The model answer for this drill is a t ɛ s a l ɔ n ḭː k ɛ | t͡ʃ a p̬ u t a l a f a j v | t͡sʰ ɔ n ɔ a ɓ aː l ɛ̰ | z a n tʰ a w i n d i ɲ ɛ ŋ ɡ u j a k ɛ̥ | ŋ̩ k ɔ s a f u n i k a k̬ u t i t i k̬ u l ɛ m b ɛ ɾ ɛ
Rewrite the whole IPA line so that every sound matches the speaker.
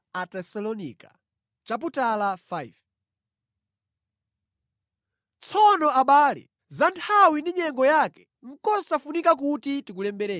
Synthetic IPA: a t ɛ s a l ɔ n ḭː k a | t͡ʃ a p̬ u t a l a f a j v | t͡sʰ ɔ n ɔ a ɓ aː l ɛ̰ | z a n tʰ a w i n d i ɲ ɛ ŋ ɡ ɔ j a k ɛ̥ | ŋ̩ k ɔ s a f u n i k a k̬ u t i t i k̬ u l ɛ m b ɛ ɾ ɛ